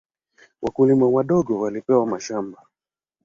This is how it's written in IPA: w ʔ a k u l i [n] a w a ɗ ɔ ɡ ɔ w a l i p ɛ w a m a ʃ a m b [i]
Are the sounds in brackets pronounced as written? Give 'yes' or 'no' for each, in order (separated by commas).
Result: no, no